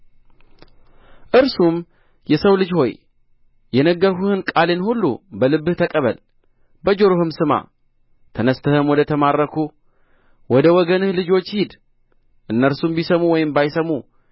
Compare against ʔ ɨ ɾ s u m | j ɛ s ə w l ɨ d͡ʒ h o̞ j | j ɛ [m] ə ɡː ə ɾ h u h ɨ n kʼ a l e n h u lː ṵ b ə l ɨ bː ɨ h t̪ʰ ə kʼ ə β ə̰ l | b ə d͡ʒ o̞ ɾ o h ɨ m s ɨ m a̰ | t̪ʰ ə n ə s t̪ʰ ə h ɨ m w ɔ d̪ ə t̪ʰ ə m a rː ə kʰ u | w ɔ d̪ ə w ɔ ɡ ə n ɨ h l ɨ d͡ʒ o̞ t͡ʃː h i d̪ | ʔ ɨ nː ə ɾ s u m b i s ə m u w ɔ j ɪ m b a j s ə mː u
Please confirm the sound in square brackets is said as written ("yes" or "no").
no